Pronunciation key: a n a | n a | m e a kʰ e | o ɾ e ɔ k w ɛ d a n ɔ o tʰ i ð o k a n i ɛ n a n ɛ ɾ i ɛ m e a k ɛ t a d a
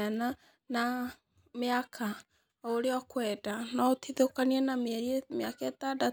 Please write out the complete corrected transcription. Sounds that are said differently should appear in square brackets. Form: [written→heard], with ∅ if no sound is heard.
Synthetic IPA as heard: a n a | n a | m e a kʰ [e→a] | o ɾ e ɔ k w ɛ d a n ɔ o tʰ i ð o k a n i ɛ n a [n→m] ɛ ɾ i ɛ m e a k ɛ t a d a